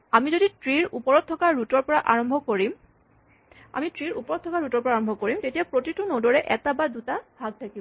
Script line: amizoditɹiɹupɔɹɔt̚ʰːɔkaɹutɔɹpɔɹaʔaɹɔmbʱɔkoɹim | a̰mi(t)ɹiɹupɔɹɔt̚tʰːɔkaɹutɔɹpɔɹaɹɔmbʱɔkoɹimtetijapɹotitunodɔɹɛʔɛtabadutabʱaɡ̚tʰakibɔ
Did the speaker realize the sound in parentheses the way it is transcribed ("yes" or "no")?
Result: yes